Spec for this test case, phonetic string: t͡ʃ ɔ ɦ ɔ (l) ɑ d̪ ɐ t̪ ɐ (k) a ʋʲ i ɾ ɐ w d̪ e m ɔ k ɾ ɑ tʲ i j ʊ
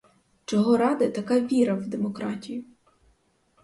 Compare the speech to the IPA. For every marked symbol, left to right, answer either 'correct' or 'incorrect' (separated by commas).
incorrect, correct